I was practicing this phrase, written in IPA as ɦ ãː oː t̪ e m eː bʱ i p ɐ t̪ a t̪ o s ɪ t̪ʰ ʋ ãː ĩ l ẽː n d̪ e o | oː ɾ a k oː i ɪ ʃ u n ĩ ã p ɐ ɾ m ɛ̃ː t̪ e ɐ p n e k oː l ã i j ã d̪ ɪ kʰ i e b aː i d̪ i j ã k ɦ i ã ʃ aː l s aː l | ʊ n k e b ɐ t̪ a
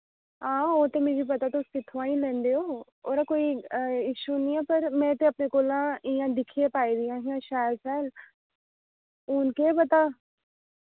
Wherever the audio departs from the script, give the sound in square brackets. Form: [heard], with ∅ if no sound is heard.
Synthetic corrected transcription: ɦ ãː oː t̪ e m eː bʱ i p ɐ t̪ a t̪ o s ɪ t̪ʰ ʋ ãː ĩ l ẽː n d̪ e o | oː ɾ a k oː i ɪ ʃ u n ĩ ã p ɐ ɾ m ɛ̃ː t̪ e ɐ p n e k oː l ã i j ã d̪ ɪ kʰ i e [p] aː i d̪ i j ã [∅] ɦ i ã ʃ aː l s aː l | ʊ n k e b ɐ t̪ a

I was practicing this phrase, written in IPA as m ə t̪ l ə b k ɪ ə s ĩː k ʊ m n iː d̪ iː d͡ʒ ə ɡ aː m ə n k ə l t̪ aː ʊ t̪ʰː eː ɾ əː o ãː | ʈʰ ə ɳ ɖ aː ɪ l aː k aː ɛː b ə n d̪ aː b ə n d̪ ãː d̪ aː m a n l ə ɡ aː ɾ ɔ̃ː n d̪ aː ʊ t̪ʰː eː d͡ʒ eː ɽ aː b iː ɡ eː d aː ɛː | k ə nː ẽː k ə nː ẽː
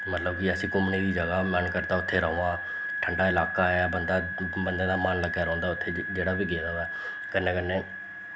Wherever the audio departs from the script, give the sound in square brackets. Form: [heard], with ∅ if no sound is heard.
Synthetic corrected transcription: m ə t̪ l ə b k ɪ ə s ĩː k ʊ m n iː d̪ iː d͡ʒ ə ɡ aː m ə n k ə [ɾ] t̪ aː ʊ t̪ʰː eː ɾ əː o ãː | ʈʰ ə ɳ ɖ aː ɪ l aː k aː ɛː b ə n d̪ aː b ə n d̪ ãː d̪ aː m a n l ə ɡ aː ɾ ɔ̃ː n d̪ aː ʊ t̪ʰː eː d͡ʒ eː ɽ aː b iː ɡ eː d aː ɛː | k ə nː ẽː k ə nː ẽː

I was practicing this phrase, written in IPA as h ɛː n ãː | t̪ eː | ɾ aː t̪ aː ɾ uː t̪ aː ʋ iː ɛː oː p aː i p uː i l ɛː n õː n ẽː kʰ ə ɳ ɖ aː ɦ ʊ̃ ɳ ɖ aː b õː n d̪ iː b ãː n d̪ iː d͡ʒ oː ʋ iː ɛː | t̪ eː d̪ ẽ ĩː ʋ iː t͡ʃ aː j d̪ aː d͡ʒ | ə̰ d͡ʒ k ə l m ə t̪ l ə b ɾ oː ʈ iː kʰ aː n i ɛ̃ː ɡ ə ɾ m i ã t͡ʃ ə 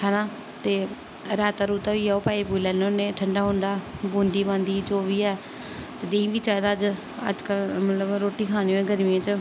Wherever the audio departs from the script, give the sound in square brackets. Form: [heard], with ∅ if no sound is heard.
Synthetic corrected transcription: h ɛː n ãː | t̪ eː | ɾ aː t̪ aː ɾ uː t̪ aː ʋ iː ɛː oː p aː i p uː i l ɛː n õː n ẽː [ʈʰ] ə ɳ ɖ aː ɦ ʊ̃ ɳ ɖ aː b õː n d̪ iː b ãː n d̪ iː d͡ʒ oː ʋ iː ɛː | t̪ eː d̪ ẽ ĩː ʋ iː t͡ʃ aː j d̪ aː d͡ʒ | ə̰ d͡ʒ k ə l m ə t̪ l ə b ɾ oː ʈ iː kʰ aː n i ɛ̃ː ɡ ə ɾ m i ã t͡ʃ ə

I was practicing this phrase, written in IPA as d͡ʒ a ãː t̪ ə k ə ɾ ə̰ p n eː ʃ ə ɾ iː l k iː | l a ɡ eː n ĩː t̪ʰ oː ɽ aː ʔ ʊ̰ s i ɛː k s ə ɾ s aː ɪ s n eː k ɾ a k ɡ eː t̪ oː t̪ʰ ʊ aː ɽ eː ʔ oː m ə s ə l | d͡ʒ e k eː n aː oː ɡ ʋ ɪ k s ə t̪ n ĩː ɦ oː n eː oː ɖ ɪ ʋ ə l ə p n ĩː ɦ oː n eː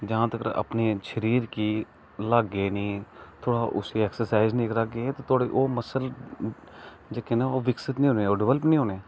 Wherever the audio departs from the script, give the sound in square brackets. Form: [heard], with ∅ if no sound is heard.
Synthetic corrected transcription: d͡ʒ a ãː t̪ ə k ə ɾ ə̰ p n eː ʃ ə ɾ iː [ɾ] k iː | l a ɡ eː n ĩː t̪ʰ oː ɽ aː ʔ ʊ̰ s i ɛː k s ə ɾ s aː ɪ [z] n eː k ɾ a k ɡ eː t̪ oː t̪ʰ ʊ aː ɽ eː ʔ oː m ə s ə l | d͡ʒ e k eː n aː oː [∅] ʋ ɪ k s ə t̪ n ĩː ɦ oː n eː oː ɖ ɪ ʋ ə l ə p n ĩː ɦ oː n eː

